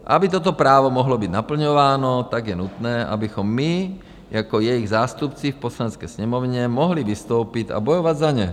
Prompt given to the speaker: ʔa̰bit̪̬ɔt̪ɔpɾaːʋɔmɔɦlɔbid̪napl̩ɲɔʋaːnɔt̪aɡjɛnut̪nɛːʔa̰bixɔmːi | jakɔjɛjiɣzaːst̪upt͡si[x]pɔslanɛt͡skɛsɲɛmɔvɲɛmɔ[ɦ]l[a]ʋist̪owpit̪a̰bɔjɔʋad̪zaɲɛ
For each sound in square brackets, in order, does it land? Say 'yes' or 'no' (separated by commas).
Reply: no, yes, no